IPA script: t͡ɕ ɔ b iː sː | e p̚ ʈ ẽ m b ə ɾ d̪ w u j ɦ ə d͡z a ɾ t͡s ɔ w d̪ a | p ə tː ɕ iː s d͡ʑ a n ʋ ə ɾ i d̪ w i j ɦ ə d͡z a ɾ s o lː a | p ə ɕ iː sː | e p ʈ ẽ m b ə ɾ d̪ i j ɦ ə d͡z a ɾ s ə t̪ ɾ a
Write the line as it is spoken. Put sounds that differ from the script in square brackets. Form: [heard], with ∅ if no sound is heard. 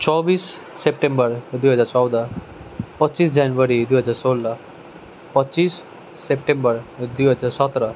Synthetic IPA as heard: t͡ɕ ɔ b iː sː | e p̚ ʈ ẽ m b ə ɾ d̪ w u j ɦ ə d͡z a ɾ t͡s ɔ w d̪ a | p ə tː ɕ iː s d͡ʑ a n ʋ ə ɾ i d̪ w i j ɦ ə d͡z a ɾ s o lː a | p ə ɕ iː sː | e p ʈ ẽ m b ə ɾ d̪ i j ɦ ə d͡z a ɾ s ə t̪ ɾ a